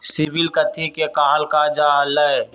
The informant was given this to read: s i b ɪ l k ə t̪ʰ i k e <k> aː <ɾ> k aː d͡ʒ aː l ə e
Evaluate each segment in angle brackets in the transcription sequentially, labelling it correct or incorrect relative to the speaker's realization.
correct, incorrect: l

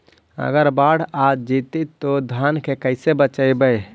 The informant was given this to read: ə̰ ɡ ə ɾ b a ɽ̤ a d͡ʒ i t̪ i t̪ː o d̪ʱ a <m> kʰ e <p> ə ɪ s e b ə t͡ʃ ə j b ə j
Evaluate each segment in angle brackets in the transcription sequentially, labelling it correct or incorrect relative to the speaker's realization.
incorrect: n, incorrect: k

